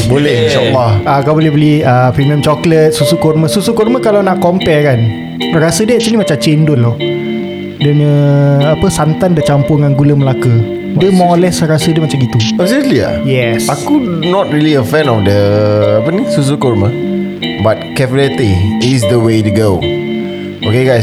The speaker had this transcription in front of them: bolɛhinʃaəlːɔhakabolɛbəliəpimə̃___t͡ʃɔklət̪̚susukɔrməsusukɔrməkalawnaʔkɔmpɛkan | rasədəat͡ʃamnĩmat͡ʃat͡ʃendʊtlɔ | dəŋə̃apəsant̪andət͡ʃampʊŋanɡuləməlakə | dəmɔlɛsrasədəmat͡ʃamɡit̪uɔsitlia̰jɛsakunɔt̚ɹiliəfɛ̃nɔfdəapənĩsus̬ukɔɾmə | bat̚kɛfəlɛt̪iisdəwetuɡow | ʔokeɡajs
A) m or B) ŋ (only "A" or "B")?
A